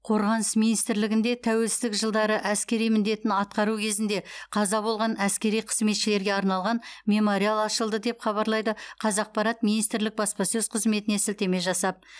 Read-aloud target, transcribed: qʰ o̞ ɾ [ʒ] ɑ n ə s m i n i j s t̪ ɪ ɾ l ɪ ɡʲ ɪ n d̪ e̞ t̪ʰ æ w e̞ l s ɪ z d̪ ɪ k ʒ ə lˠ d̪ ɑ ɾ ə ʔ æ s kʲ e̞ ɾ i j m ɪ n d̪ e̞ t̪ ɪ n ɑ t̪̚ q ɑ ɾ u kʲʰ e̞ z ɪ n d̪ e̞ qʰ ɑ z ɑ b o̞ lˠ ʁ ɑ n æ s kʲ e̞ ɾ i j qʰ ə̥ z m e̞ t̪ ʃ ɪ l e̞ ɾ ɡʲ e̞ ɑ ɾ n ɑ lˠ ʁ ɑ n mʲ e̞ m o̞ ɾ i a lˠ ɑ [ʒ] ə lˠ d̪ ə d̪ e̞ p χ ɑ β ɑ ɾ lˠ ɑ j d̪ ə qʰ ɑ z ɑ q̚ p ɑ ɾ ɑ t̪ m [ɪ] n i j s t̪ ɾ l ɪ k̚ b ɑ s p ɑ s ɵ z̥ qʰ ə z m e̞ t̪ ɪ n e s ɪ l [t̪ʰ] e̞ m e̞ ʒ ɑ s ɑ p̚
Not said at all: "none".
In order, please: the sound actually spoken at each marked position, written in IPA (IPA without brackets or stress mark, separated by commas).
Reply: ʁ, ʃ, i, t̪